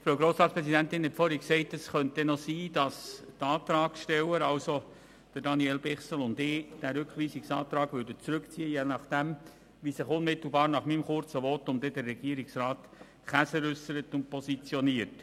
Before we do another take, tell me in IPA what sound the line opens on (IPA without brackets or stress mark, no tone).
f